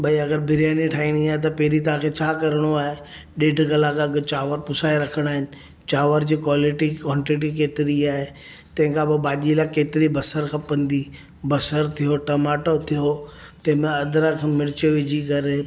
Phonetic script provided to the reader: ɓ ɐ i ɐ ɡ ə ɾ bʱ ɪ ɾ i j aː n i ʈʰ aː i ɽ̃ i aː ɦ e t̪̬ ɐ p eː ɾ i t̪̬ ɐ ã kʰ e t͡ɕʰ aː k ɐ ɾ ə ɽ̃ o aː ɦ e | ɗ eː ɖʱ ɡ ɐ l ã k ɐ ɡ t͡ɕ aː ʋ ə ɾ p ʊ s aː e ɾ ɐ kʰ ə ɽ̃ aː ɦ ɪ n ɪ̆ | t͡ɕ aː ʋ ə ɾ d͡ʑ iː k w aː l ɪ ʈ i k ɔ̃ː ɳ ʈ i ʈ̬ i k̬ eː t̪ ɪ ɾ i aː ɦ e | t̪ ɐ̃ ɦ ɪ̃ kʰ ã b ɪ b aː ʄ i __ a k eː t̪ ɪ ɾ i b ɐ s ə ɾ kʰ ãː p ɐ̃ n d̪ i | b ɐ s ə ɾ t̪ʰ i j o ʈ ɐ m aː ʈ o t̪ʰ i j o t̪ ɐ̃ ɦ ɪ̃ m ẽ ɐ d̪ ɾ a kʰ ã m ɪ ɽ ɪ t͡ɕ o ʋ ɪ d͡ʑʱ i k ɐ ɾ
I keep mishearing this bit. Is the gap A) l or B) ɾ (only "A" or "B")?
A